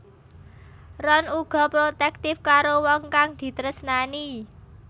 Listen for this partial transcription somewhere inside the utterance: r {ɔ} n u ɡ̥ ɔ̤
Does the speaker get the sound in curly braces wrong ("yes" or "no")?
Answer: no